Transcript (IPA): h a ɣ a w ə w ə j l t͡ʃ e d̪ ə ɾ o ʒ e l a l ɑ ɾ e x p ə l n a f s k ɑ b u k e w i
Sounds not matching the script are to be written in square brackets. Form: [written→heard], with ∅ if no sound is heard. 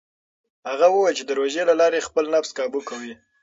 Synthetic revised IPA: h a ɣ a w ə w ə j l t͡ʃ e d̪ ə ɾ o ʒ e l a l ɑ ɾ e x p ə l n a f s k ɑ b u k [e→a] w i